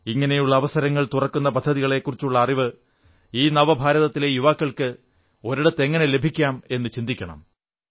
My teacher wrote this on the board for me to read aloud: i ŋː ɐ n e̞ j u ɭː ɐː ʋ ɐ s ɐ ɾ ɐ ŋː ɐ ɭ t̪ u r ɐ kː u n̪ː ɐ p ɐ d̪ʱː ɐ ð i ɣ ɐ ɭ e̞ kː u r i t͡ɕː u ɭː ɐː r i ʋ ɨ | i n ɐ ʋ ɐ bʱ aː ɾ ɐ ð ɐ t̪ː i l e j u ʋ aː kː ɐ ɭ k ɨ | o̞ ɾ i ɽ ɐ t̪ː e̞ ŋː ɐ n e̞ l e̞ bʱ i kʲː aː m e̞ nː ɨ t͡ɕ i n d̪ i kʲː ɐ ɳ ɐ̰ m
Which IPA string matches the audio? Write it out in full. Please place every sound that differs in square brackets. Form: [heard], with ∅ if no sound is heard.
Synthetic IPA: i ŋː ɐ n e̞ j u ɭː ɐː ʋ ɐ s ɐ ɾ ɐ ŋː ɐ ɭ t̪ u r ɐ kː u n̪ː ɐ p ɐ d̪ʱː ɐ ð i ɣ ɐ ɭ e̞ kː u r i t͡ɕː u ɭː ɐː r i ʋ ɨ | [iː] n ɐ ʋ ɐ bʱ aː ɾ ɐ ð ɐ t̪ː i l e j u ʋ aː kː ɐ ɭ k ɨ | o̞ ɾ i ɽ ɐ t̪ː e̞ ŋː ɐ n e̞ l e̞ bʱ i kʲː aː m e̞ nː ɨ t͡ɕ i n d̪ i kʲː ɐ ɳ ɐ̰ m